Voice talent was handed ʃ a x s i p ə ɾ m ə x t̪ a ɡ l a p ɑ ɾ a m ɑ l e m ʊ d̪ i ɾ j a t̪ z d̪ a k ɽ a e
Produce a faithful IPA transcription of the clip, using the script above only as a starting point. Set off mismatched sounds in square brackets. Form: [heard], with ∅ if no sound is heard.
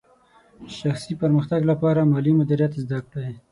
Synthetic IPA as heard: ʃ a x s i p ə ɾ m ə x t̪ a ɡ l a p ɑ ɾ a m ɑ l [i] m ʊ d̪ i ɾ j a t̪ z d̪ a k ɽ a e

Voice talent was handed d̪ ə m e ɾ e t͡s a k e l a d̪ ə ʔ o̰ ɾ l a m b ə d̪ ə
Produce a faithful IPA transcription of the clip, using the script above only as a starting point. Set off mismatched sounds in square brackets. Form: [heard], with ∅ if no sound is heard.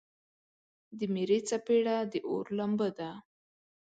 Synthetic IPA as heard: d̪ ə m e ɾ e t͡s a [p] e [ɽ] a d̪ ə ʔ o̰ ɾ l a m b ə d̪ [a]

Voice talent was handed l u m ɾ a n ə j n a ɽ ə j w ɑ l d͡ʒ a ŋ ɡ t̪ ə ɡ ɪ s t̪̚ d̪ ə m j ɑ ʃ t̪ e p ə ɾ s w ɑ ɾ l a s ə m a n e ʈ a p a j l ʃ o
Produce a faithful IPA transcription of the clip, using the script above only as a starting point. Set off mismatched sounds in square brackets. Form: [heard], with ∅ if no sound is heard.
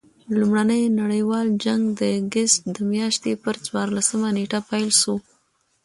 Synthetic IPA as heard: l u m [ɽ] a n ə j n a ɽ ə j w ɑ l d͡ʒ a ŋ ɡ [d̪] ə ɡ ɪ s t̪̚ d̪ ə m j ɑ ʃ t̪ e p ə ɾ [t͡s] w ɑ ɾ l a s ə m a n e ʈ a p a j l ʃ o

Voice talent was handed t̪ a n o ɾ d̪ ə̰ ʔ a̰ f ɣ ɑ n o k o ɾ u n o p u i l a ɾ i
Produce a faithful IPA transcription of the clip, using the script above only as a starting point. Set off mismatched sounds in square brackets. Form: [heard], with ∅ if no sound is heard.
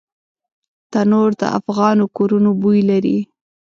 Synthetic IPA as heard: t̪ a n o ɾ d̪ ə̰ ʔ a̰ f ɣ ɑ n o k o ɾ u n o [b] u [j] l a ɾ i

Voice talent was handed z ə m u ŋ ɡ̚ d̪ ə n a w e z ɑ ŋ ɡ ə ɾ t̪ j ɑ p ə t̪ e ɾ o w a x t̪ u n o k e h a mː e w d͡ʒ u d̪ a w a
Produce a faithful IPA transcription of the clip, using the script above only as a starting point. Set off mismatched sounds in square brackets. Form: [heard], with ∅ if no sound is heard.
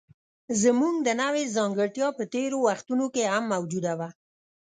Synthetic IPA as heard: z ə m u ŋ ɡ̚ d̪ ə n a w e z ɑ ŋ ɡ ə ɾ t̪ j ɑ p ə t̪ e ɾ o w a x t̪ u n o k e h a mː [a] w d͡ʒ u d̪ a w a

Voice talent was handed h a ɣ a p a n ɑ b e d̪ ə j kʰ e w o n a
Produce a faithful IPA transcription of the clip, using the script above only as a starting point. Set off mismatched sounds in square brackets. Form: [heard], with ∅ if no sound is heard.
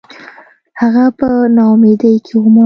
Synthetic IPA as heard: h a ɣ a p [ə] n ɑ [m] e d̪ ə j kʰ e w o [m] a

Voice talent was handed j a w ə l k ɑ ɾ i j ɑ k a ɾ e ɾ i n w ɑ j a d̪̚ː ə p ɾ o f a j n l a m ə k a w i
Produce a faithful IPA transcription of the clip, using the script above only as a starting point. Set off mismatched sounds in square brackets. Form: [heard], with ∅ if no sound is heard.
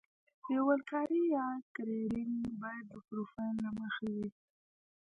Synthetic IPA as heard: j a w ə l k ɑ ɾ i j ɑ k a ɾ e ɾ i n [b] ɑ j a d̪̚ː ə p ɾ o f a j n l a m ə [x] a w i

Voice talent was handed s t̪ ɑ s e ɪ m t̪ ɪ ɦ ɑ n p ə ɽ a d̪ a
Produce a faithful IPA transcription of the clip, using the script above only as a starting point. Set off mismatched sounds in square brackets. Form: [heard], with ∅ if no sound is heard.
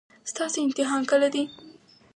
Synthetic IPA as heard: s t̪ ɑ s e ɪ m t̪ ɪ ɦ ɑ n [k] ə [l] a d̪ [i]

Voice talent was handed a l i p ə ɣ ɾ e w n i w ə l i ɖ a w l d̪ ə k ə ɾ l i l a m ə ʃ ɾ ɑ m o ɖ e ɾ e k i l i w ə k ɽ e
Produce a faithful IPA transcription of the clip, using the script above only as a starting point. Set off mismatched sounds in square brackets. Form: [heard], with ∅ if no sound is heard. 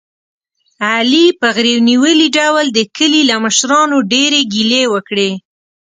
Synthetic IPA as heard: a l i p ə ɣ ɾ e w n i w ə l i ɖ a w l d̪ ə k ə [∅] l i l a m ə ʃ ɾ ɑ [n] o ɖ e ɾ e [ɡ] i l [e] w ə k ɽ e

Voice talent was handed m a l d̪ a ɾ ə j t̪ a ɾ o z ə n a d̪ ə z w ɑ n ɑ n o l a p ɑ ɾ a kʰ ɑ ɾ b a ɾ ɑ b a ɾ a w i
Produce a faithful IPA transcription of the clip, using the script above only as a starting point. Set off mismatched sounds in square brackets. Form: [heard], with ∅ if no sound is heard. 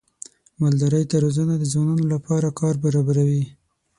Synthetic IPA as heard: m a l d̪ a ɾ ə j t̪ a ɾ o z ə n a d̪ ə z w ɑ n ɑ n o l a p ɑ ɾ a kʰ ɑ ɾ b a ɾ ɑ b a ɾ a w i

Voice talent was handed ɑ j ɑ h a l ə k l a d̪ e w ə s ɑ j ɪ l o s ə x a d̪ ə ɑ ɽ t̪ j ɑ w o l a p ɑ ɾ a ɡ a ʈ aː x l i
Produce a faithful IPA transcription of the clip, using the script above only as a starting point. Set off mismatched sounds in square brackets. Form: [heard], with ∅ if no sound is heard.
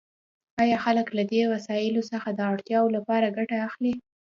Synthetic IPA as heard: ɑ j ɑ [x] a l ə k l a d̪ e w [a] s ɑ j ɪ l o s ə x a d̪ ə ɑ ɽ t̪ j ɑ w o l a p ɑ ɾ a ɡ a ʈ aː x l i

